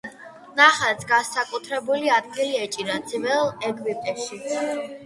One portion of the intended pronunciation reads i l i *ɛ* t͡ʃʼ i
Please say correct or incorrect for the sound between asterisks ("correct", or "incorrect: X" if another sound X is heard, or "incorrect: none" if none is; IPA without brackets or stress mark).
correct